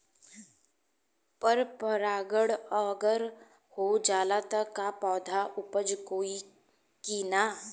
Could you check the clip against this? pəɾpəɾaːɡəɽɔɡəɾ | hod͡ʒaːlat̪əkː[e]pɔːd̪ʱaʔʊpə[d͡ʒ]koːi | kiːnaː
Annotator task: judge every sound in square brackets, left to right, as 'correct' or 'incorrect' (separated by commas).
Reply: incorrect, correct